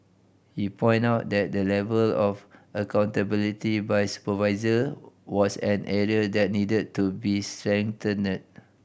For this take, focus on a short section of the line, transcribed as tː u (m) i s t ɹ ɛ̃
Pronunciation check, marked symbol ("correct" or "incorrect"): incorrect